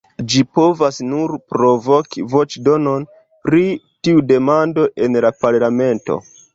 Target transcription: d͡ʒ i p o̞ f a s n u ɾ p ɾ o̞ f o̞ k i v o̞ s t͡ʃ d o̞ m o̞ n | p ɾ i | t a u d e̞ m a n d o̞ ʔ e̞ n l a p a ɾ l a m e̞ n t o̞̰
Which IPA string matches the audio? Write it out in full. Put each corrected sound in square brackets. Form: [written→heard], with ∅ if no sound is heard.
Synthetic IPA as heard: d͡ʒ i p o̞ [f→v] a s n u ɾ p ɾ o̞ [f→v] o̞ k i v o̞ [s→∅] t͡ʃ d o̞ [m→n] o̞ n | p ɾ i | t [a→i] u d e̞ m a n d o̞ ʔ e̞ n l a p a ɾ l a m e̞ n t o̞̰